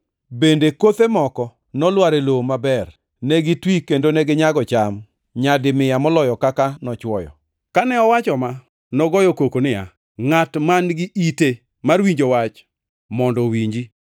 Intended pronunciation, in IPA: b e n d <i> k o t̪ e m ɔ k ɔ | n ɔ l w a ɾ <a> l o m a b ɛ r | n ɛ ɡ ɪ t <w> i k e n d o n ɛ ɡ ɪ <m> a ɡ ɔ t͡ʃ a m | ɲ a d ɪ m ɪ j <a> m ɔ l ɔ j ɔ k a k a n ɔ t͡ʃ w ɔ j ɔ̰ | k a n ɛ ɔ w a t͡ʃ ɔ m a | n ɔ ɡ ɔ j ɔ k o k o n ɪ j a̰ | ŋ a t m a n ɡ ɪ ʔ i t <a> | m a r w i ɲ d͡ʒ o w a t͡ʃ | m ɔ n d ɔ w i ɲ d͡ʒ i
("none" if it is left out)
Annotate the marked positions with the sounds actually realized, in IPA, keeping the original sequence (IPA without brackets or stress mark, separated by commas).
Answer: e, e, w, ɲ, a, e